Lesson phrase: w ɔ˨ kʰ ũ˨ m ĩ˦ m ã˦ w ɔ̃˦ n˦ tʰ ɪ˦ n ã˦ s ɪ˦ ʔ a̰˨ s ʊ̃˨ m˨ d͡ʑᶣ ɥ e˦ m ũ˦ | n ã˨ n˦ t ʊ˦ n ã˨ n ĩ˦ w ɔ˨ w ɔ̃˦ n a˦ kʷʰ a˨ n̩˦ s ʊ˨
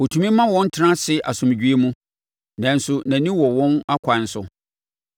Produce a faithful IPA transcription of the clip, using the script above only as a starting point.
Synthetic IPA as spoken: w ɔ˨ tʰ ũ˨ m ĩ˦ m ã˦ w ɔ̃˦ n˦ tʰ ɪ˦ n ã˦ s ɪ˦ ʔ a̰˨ s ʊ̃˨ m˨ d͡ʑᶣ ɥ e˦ m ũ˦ | n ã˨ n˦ s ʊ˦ n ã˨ n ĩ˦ w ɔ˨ w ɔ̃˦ n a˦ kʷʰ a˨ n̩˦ s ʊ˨